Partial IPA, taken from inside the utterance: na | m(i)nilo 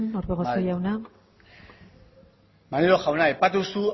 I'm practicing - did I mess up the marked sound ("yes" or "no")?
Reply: yes